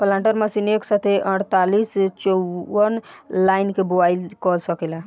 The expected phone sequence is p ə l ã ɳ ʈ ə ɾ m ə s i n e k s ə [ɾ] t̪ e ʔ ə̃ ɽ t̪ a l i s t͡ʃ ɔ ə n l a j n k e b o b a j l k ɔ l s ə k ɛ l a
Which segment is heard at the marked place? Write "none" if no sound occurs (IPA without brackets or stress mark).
none